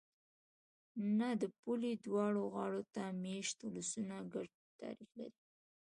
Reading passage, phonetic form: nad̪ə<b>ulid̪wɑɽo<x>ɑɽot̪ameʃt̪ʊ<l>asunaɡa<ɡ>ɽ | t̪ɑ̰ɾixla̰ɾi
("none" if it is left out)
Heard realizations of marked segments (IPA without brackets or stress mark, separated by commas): p, ɣ, l, none